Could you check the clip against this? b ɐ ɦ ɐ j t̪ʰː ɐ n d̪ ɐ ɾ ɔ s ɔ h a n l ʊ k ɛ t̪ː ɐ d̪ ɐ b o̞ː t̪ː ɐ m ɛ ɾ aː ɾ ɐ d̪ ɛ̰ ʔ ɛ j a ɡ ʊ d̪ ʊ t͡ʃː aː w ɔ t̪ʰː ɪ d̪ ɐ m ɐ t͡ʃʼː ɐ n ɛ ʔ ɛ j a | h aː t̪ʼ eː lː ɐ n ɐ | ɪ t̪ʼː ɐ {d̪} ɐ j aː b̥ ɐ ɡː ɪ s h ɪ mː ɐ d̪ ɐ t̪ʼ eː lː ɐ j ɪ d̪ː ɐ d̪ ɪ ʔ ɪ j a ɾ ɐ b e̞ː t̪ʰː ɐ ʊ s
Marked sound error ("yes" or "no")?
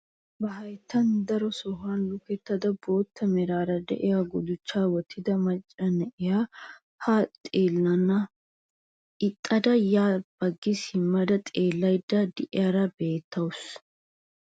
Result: no